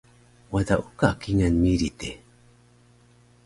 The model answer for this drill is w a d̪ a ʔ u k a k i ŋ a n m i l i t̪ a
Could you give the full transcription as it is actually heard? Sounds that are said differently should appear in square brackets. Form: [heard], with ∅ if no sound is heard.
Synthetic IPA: w a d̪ a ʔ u k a k i ŋ a n m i [ɾ] i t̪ [e]